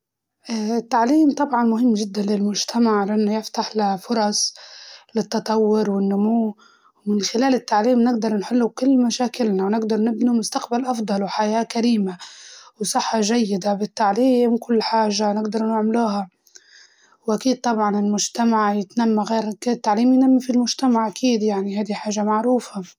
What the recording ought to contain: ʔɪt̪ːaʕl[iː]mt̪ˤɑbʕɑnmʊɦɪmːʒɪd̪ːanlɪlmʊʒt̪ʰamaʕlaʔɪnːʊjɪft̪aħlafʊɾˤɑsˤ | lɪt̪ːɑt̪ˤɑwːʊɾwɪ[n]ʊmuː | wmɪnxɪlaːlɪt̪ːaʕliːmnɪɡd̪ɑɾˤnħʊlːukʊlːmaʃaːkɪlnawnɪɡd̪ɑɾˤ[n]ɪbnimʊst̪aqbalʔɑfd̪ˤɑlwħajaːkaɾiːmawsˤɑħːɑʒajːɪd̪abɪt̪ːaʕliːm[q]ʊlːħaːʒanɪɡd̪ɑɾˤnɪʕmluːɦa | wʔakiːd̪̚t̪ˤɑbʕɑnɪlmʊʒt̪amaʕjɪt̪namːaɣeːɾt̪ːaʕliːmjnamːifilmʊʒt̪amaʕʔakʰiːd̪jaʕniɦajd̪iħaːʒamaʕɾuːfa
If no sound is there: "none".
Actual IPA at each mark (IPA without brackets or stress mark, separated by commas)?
iː, nː, n, k